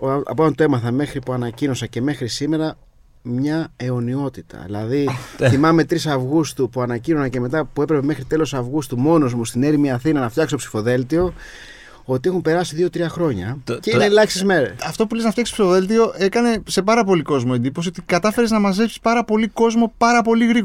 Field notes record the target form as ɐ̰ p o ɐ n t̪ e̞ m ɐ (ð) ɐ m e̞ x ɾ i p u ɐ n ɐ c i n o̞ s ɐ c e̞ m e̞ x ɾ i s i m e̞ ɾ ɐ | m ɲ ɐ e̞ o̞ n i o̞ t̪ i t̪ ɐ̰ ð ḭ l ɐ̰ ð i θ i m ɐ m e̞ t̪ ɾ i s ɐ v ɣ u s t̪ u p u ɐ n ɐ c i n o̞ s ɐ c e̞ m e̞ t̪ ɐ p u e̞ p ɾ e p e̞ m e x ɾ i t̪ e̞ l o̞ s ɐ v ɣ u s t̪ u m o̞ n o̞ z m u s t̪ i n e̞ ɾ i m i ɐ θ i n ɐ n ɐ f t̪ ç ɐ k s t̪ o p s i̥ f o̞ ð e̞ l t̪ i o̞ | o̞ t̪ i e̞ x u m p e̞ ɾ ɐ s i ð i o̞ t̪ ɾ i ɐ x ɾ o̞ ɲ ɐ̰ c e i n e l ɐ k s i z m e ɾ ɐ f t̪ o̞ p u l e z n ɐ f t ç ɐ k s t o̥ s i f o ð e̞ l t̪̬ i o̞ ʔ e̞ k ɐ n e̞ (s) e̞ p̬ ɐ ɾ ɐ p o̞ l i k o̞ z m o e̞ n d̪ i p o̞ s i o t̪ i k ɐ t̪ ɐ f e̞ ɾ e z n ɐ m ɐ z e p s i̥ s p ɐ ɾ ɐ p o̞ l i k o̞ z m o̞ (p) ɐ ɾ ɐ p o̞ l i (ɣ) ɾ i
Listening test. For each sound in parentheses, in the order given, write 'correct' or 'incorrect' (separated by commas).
incorrect, correct, correct, correct